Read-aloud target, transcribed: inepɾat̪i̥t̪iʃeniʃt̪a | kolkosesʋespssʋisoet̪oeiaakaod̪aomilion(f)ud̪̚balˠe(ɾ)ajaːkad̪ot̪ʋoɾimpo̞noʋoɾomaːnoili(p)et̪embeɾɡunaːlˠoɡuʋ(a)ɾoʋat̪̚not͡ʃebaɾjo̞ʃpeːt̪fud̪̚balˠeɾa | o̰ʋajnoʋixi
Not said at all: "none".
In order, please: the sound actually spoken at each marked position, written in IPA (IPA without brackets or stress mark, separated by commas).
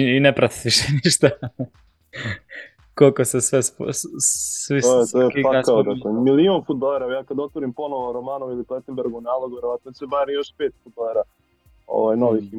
f, ɾ, p, e